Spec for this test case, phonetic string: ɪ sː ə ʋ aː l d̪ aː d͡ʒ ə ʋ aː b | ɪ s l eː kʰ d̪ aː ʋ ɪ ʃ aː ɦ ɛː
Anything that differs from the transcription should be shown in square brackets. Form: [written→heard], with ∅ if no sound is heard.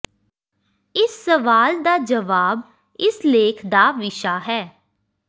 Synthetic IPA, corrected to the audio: ɪ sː ə ʋ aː l d̪ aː d͡ʒ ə ʋ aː b | ɪ s l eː kʰ d̪ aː ʋ ɪ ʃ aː ɦ ɛː